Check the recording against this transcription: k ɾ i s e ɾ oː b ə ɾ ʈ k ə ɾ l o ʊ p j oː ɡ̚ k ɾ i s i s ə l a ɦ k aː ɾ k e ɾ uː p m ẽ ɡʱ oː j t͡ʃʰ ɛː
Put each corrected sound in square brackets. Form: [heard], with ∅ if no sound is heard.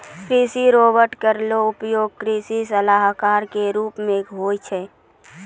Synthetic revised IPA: k ɾ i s [i] ɾ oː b ə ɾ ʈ k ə ɾ l o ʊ p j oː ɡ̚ k ɾ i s i s ə l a ɦ k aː ɾ k e ɾ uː p m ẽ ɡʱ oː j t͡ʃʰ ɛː